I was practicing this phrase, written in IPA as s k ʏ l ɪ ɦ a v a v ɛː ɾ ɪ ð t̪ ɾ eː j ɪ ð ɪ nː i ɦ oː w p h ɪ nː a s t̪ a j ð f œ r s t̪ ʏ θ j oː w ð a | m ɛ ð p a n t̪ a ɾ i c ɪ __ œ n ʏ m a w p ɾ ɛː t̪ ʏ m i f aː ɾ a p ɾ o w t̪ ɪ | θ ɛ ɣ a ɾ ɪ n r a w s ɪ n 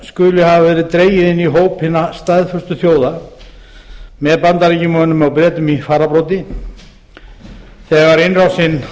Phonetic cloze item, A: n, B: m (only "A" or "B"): B